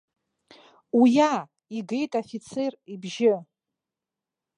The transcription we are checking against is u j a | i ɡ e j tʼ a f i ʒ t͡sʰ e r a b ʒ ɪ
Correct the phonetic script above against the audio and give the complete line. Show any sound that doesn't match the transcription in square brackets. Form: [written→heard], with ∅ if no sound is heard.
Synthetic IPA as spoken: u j a | i ɡ e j tʼ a f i [ʒ→∅] t͡sʰ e r [a→i] b ʒ ɪ